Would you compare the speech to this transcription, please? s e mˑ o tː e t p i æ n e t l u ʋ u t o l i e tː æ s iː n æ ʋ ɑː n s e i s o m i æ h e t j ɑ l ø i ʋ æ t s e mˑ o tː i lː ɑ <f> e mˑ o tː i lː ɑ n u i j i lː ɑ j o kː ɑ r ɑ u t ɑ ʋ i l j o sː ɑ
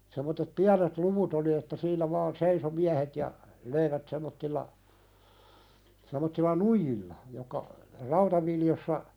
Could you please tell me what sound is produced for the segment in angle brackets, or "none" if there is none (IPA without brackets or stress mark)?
s